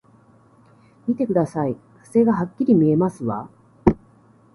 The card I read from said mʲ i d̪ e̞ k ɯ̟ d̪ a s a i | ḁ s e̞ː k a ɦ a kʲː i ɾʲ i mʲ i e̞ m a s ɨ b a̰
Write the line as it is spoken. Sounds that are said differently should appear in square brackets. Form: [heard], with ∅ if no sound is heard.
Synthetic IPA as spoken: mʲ i [t̪] e̞ k ɯ̟ d̪ a s a i | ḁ s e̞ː [ɡ] a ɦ a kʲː i ɾʲ i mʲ i e̞ m a s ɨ [β] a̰